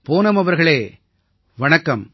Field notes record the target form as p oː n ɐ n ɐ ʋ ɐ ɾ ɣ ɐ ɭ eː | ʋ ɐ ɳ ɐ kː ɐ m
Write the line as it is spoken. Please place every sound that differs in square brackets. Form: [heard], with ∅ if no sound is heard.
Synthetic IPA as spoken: p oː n ɐ [m] ɐ ʋ ɐ ɾ ɣ ɐ ɭ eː | ʋ ɐ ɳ ɐ kː ɐ m